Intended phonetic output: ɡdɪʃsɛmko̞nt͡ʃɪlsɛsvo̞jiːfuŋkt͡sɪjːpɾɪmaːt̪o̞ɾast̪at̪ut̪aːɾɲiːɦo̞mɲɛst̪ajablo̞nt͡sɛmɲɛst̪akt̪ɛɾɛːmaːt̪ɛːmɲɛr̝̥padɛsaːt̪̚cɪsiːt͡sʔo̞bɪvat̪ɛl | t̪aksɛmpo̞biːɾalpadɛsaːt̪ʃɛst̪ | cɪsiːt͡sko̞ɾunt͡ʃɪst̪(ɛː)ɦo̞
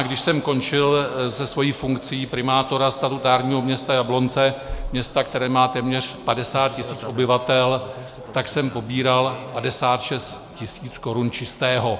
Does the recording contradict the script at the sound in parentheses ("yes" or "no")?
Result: no